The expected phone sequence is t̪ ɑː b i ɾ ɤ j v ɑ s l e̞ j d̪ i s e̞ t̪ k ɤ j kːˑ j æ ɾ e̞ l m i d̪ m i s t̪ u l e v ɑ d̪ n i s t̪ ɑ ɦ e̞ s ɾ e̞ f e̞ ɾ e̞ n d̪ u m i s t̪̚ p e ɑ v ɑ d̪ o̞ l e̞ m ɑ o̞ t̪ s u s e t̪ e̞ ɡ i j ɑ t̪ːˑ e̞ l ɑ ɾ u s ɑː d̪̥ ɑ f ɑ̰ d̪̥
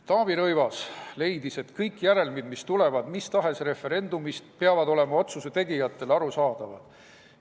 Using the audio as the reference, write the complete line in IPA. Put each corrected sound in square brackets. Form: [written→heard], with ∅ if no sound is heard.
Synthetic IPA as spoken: t̪ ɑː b i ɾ ɤ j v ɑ s l e̞ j d̪ i s e̞ t̪ k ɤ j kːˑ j æ ɾ e̞ l m i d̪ m i s t̪ u l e v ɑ d̪ [n→m] i s t̪ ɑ ɦ e̞ s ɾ e̞ f e̞ ɾ e̞ n d̪ u m i s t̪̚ p e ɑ v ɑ d̪ o̞ l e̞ m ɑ o̞ t̪ s u s e t̪ e̞ ɡ i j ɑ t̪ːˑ e̞ l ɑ ɾ u s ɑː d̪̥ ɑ [f→v] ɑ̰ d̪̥